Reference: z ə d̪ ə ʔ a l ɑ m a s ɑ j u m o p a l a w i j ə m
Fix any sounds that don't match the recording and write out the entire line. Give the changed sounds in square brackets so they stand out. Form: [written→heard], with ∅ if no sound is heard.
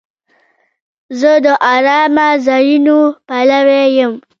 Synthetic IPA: z ə d̪ ə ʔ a [l→ɾ] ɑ m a [s→z] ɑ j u [m→n] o p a l a w [i→e] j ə m